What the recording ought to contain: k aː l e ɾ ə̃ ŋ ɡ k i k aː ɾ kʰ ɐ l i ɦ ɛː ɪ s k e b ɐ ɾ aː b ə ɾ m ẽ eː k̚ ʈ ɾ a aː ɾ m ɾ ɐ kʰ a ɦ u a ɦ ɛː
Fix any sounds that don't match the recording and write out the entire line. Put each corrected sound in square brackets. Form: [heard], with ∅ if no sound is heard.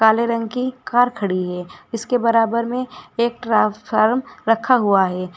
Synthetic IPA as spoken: k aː l e ɾ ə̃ ŋ ɡ k i k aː ɾ kʰ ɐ [ɽ] i ɦ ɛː ɪ s k e b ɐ ɾ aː b ə ɾ m ẽ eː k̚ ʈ ɾ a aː ɾ m ɾ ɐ kʰ a ɦ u a ɦ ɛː